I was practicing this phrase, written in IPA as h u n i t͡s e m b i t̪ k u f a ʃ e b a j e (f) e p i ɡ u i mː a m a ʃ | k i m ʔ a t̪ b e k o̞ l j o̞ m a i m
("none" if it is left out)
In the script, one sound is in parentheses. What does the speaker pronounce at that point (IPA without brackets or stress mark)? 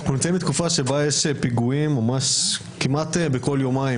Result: ʃ